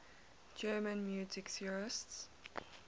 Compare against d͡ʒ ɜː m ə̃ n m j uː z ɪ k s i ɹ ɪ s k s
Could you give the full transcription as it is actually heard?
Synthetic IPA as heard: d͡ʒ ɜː m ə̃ n m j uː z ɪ k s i ɹ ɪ s t s